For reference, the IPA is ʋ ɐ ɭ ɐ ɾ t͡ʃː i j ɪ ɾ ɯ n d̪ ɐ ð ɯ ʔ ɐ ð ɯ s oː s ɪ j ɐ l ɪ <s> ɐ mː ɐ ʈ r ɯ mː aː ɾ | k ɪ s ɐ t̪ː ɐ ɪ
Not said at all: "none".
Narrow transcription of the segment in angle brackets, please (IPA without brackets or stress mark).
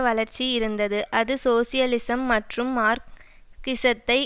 s